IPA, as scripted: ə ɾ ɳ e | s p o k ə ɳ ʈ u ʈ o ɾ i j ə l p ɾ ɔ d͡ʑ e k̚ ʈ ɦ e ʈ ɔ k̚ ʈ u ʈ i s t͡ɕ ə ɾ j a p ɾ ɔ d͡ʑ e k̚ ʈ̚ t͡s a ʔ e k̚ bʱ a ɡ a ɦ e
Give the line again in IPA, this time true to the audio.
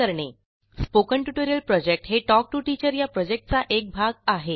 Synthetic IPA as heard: ə ɾ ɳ e | s p o k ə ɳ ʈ u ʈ o ɾ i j ə l p ɾ ɔ d͡ʑ e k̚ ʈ ɦ e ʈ ɔ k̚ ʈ u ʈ i t͡ɕ ə ɾ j a p ɾ ɔ d͡ʑ e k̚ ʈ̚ t͡s a ʔ e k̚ bʱ a ɡ a ɦ e